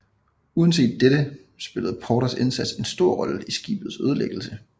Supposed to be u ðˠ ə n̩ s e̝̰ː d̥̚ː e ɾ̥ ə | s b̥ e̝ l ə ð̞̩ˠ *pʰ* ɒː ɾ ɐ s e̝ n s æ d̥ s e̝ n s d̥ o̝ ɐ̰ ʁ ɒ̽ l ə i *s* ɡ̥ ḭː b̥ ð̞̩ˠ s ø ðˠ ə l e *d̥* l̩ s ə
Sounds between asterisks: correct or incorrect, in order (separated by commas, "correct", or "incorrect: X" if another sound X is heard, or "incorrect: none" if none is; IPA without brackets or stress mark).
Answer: correct, correct, incorrect: ɡ̥